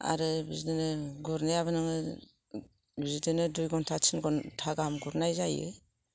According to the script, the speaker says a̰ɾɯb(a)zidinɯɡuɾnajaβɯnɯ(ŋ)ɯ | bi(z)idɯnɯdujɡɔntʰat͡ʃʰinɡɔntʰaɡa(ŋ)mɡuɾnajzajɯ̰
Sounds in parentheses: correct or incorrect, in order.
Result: incorrect: i, correct, correct, incorrect: none

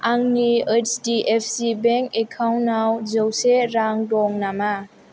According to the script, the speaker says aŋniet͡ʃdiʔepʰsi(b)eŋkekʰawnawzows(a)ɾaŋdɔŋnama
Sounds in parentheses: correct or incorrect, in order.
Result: correct, incorrect: e

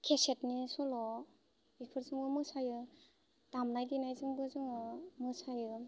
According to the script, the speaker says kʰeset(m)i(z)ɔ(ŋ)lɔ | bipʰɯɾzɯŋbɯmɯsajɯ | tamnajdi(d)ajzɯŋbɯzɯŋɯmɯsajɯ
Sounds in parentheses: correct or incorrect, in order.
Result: incorrect: n, incorrect: s, incorrect: none, incorrect: n

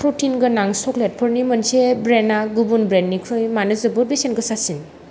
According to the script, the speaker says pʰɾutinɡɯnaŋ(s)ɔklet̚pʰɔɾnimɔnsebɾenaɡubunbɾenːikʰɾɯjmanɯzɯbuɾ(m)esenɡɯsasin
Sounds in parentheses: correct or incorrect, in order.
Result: correct, incorrect: b

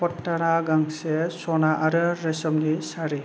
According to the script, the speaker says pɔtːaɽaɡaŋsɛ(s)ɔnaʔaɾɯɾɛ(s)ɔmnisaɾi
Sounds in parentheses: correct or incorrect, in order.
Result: correct, correct

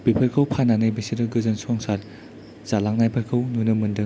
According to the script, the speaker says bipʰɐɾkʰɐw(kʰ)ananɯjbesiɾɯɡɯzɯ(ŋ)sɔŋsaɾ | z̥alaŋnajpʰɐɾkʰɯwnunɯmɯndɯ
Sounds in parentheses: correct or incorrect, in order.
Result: incorrect: pʰ, incorrect: n

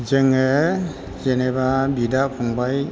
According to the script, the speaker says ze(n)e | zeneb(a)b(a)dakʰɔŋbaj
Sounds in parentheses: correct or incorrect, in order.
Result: incorrect: ŋ, correct, incorrect: i

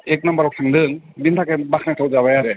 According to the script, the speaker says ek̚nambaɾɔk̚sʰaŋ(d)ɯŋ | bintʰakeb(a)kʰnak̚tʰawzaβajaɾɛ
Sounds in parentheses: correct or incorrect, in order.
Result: correct, correct

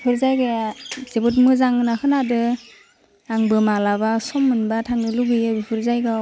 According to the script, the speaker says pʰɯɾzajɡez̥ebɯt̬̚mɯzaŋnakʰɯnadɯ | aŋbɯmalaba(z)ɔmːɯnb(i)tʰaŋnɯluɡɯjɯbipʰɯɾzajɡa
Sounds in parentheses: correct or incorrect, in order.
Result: incorrect: s, incorrect: a

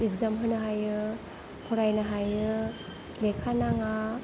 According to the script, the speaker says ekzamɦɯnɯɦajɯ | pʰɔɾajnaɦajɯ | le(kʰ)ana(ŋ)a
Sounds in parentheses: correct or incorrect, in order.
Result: correct, correct

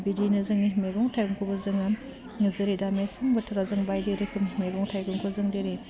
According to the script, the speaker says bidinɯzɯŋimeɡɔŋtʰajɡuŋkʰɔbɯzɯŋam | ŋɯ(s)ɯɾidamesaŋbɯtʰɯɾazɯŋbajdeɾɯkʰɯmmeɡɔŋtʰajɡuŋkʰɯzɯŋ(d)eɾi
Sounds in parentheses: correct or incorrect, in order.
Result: incorrect: z, correct

